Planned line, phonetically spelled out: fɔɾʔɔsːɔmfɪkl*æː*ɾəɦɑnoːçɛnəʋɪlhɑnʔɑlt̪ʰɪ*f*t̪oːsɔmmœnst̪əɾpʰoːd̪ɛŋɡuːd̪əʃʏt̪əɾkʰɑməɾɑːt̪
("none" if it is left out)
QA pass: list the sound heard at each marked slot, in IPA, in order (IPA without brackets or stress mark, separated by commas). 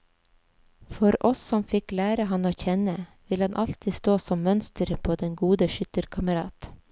æː, s